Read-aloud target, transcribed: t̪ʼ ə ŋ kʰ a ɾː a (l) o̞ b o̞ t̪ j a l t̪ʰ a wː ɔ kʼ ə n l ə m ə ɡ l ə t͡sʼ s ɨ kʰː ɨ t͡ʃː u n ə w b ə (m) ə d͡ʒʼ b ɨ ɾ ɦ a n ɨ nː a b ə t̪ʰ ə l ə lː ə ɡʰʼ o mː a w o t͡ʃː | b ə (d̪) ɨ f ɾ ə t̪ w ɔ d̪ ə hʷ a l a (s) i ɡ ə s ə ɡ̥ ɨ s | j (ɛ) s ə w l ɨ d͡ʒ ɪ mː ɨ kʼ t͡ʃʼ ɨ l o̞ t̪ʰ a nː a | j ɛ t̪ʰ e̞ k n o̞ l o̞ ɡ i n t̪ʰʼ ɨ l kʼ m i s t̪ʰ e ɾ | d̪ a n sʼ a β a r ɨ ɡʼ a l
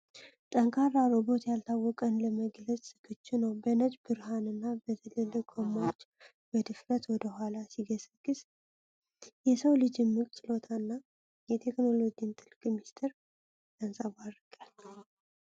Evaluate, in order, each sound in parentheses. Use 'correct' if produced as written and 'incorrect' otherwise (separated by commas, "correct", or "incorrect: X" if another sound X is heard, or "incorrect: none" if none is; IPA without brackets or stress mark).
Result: incorrect: ɾ, incorrect: n, correct, correct, correct